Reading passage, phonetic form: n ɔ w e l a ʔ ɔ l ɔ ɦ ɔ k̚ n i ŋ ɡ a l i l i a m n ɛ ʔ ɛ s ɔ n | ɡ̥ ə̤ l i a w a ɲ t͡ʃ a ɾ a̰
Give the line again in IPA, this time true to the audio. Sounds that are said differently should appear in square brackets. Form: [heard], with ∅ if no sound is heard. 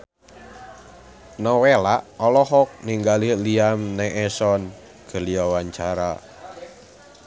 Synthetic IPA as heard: n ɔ w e l a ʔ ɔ l ɔ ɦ ɔ k̚ n i ŋ ɡ a l i l i a m n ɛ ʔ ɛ s ɔ n | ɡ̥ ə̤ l i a w a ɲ t͡ʃ a ɾ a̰